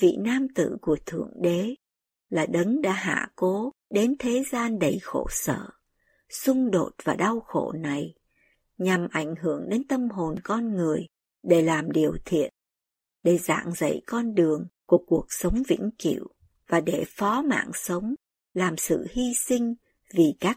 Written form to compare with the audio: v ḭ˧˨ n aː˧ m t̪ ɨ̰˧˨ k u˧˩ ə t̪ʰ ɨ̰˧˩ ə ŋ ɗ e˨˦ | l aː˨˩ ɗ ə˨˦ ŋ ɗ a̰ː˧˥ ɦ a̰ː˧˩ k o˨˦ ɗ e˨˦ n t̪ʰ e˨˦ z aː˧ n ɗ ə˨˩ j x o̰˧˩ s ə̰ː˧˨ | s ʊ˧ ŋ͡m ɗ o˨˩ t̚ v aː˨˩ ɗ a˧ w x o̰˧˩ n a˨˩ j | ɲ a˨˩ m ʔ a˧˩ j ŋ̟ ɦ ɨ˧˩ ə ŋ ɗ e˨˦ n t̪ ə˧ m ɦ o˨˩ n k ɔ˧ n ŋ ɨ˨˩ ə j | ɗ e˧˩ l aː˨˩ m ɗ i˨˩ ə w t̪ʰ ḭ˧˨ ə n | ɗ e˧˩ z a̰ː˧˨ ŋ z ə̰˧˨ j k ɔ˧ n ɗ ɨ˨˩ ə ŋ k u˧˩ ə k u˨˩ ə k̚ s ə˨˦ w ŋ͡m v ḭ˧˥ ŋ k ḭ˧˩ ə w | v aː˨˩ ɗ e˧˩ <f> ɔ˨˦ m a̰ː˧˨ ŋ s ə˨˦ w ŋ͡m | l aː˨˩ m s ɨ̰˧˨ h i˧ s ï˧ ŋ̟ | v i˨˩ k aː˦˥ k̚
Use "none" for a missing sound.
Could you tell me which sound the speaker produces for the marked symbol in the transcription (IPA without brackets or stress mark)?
f